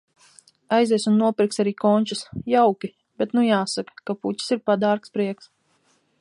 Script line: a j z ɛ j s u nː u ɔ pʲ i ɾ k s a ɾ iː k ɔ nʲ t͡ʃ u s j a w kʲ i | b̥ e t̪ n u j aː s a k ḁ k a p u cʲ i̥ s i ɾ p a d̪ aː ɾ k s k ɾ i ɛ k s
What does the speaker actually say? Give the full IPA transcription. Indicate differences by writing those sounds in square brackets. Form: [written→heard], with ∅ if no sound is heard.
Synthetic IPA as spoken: a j z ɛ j s u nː u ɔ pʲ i ɾ k s a ɾ iː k ɔ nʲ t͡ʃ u s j a w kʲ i | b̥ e t̪ n u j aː s a k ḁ k a p u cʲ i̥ s i ɾ p a d̪ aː ɾ k s [k→p] ɾ i ɛ k s